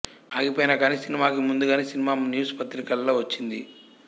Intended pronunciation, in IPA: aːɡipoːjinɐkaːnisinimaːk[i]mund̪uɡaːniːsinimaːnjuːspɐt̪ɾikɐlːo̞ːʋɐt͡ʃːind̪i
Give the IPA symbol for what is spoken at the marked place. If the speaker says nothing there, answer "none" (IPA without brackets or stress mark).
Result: i